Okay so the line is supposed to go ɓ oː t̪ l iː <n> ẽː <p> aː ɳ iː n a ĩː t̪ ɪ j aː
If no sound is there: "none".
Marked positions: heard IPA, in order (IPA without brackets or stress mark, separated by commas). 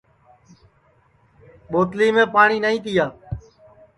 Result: m, p